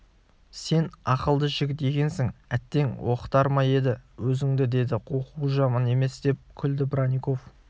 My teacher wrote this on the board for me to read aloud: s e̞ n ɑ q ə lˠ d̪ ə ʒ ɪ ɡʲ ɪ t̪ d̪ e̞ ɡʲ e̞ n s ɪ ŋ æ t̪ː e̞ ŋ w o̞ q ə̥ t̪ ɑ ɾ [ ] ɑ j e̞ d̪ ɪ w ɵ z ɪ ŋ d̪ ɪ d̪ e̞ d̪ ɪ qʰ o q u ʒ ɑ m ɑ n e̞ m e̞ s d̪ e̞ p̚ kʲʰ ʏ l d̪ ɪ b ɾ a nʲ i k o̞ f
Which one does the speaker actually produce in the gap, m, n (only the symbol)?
m